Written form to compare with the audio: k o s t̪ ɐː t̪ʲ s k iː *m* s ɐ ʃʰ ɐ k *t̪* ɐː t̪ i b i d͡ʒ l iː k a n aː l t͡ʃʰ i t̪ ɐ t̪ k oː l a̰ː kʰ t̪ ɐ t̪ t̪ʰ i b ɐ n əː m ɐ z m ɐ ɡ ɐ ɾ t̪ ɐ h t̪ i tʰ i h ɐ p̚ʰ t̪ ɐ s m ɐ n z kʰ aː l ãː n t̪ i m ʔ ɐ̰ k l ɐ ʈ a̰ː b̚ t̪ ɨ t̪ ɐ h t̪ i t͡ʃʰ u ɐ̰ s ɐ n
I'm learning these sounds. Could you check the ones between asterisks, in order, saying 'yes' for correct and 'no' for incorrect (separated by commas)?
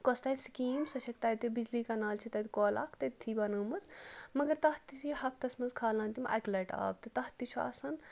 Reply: yes, yes